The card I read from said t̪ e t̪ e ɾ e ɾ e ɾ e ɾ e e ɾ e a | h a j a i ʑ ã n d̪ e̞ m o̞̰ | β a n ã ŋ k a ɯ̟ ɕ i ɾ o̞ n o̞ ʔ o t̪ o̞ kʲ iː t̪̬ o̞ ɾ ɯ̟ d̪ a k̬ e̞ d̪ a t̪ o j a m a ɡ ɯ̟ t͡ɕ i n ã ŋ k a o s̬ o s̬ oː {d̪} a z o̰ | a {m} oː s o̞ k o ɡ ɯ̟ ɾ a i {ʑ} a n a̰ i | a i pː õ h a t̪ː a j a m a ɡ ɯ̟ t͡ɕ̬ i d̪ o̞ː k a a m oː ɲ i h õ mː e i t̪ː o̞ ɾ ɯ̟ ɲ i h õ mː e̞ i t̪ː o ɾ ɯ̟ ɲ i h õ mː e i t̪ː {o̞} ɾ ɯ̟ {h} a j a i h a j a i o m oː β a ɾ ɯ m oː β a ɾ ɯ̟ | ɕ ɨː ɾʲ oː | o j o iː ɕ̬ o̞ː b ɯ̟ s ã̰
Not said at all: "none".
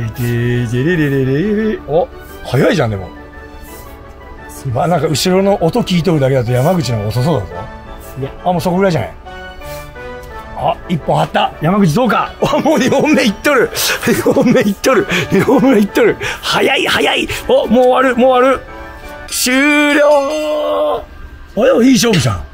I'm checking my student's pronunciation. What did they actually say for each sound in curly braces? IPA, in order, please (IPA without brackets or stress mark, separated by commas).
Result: d̪, m, ʑ, o̞, h